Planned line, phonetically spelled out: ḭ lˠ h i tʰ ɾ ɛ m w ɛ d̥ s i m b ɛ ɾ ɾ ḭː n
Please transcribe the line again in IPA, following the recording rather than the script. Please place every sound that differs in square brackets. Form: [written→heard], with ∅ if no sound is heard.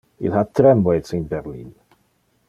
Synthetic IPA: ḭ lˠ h [i→a] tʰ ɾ ɛ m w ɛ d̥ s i [m→n] b ɛ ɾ [ɾ→l] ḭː n